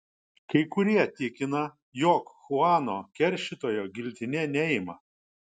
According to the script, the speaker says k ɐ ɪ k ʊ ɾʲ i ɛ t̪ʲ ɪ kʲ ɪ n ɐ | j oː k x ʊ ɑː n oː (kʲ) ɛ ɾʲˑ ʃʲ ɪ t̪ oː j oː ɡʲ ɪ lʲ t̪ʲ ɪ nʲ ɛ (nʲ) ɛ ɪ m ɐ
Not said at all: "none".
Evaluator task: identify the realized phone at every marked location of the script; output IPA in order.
kʲ, nʲ

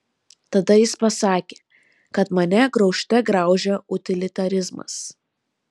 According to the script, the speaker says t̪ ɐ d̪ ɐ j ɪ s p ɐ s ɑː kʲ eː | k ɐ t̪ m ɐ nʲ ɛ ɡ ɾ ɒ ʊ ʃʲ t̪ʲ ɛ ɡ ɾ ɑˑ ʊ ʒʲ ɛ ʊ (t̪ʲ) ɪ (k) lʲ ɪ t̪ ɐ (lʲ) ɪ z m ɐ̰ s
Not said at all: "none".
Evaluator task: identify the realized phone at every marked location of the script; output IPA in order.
t̪ʲ, none, ɾʲ

